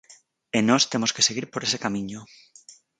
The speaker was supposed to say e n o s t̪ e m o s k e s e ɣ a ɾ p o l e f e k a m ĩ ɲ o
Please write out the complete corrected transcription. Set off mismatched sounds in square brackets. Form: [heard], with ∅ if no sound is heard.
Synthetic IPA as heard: e n o s t̪ e m o s k e s e ɣ [i] ɾ p o [ɾ] e [s] e k a m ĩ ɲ o